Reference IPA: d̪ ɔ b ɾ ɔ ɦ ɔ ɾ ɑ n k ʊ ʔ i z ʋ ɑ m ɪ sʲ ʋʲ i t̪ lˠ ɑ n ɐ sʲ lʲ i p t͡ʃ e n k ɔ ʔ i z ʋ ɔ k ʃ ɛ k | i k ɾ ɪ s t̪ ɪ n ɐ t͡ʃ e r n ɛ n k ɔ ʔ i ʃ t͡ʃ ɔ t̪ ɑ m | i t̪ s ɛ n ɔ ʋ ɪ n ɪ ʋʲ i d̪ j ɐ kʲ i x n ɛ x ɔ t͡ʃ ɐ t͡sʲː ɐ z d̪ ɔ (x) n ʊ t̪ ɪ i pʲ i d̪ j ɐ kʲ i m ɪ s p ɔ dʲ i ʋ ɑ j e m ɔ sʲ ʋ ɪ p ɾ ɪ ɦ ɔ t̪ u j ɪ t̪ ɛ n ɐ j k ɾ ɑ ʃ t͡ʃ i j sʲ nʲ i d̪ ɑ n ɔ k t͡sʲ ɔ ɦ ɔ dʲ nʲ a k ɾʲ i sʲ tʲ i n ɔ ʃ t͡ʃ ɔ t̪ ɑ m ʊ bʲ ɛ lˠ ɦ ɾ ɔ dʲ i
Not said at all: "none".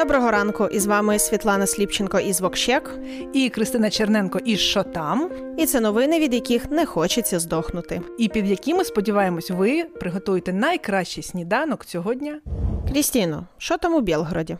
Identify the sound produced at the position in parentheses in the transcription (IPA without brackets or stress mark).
x